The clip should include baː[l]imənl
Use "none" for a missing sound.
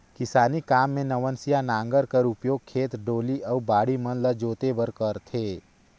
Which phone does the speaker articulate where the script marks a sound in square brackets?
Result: ɽ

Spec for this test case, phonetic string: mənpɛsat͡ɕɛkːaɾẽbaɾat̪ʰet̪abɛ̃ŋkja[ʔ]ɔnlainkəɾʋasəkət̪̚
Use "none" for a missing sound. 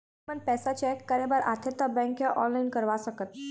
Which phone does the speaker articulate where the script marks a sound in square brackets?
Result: ʔ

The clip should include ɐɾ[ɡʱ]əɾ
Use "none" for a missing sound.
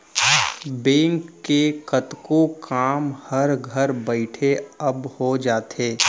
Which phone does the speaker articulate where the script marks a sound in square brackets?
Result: ɡʱ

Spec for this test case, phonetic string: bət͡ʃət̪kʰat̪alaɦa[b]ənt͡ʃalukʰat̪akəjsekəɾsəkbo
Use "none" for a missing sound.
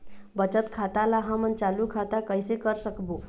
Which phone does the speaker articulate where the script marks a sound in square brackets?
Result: m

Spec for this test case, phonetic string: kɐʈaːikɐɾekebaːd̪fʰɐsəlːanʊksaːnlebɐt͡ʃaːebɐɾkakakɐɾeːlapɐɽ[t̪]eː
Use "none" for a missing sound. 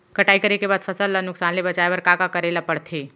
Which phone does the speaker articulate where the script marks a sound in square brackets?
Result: t̪ʰ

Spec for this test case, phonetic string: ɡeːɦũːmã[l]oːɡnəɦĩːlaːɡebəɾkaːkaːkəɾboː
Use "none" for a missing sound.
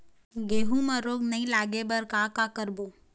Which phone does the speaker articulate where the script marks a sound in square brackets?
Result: ɾ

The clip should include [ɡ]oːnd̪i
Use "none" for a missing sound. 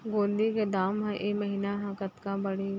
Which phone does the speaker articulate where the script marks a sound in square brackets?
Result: ɡ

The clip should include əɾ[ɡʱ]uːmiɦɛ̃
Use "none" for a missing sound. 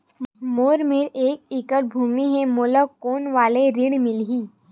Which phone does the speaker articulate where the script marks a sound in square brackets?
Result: bʱ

